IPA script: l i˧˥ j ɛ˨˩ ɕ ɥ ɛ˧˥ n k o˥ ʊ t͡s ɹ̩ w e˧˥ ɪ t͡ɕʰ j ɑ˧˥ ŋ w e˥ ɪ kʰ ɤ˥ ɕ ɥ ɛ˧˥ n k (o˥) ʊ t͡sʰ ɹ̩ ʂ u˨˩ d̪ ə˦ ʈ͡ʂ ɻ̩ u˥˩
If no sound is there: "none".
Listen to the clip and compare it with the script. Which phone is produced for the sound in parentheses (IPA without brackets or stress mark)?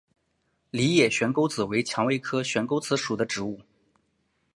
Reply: o˥